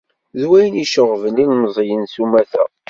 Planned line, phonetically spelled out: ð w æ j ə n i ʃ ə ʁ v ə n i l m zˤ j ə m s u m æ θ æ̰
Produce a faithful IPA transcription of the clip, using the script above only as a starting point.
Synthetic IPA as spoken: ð w æ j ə n i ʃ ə ʁ v ə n i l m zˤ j ə n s u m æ θ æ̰